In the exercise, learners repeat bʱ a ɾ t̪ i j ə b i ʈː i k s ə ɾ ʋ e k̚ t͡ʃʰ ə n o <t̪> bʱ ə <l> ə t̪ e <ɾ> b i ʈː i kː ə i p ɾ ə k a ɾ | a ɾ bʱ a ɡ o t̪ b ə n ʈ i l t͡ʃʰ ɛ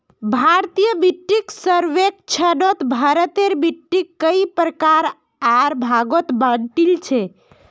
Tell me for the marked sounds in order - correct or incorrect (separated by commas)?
correct, incorrect, correct